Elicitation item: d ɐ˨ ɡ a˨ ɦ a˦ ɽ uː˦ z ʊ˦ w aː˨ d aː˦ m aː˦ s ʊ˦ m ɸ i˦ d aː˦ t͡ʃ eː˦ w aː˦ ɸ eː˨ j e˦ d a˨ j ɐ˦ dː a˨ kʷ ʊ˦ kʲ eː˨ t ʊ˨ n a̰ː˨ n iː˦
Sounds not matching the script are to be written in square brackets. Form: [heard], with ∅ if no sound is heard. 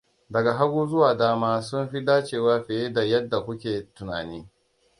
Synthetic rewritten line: d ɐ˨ ɡ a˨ ɦ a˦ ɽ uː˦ z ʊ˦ w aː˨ d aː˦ m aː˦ s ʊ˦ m ɸ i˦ d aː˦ t͡ʃ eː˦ w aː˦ ɸ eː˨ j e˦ d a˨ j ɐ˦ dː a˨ kʷ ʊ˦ kʲ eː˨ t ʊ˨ n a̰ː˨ n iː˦